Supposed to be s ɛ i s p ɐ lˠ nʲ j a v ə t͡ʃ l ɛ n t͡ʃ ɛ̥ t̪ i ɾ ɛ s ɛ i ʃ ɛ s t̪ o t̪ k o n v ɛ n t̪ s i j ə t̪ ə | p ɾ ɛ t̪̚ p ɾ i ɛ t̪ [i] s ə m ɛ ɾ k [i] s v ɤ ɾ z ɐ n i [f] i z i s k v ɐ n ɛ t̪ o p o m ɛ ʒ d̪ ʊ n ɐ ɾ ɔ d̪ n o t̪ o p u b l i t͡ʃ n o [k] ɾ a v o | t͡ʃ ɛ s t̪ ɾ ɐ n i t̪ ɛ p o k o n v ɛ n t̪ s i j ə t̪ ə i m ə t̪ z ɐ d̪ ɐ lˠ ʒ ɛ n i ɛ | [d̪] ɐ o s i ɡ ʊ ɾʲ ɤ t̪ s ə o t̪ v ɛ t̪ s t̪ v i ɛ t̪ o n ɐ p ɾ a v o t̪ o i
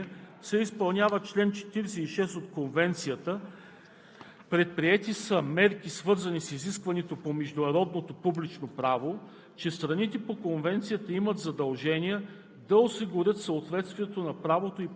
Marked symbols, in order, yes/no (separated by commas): yes, yes, no, no, yes